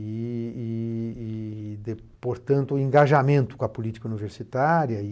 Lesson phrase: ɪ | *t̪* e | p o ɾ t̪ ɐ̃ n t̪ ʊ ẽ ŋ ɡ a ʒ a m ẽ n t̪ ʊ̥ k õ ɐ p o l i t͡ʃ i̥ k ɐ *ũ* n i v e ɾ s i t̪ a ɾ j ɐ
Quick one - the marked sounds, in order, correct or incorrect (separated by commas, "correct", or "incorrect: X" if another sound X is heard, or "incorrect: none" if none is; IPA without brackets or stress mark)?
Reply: incorrect: d̪, incorrect: u